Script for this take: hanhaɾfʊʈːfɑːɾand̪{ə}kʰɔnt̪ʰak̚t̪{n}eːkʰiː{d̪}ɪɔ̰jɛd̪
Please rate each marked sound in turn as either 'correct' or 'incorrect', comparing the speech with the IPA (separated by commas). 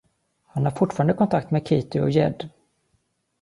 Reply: correct, incorrect, incorrect